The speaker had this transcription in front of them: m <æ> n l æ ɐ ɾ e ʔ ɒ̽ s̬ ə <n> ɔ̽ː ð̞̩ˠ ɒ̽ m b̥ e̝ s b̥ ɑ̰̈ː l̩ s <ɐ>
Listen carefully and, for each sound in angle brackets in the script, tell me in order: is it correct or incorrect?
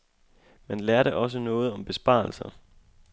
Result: incorrect: e, correct, correct

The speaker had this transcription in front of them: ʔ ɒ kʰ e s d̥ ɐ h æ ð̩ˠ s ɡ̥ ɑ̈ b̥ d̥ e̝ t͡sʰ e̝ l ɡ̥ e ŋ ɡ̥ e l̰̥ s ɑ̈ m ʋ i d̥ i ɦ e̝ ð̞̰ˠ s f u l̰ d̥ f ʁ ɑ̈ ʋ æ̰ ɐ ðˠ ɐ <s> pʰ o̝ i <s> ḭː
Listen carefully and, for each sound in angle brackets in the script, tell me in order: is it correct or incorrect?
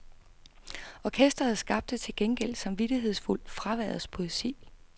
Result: correct, correct

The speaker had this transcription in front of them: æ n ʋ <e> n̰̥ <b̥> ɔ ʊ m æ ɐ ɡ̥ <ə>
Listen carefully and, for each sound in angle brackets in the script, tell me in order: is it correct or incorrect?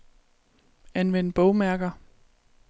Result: correct, correct, incorrect: ɐ

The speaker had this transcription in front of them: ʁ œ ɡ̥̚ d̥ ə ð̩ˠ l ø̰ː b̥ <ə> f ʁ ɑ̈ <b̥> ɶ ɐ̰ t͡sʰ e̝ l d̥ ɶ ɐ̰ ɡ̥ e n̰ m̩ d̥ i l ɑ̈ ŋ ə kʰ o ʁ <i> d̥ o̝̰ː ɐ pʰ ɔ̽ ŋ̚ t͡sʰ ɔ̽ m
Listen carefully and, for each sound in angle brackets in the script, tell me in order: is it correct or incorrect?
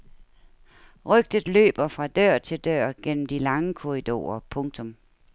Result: incorrect: ɐ, incorrect: d̥, correct

